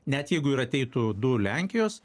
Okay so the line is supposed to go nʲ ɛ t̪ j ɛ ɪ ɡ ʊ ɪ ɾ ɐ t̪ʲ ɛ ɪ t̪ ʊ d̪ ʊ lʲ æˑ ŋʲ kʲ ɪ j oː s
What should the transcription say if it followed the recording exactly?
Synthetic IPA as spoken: nʲ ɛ t̪ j ɛ ɪ ɡ ʊ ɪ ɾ ɐ t̪ʲ ɛ ɪ t̪ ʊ d̪ ʊ lʲ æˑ ŋʲ kʲ ɪ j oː s